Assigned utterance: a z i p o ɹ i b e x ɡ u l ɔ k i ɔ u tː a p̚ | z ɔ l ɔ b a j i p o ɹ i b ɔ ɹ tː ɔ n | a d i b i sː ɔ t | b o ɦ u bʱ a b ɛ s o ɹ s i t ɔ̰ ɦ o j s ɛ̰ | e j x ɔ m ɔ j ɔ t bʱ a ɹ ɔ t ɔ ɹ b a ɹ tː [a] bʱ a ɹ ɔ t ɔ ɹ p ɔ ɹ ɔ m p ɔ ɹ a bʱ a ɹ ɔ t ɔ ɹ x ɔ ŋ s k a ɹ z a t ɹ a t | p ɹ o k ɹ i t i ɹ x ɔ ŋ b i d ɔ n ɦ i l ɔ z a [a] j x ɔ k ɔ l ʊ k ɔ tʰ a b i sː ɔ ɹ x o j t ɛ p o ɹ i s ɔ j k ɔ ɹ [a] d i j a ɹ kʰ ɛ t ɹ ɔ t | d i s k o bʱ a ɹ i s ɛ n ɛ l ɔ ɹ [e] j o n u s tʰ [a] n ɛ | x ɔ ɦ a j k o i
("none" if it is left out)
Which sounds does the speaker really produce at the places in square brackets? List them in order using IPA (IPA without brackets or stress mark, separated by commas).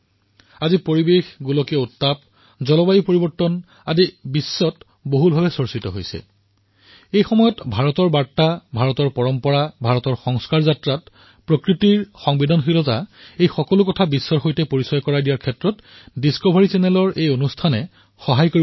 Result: a, e, a, e, a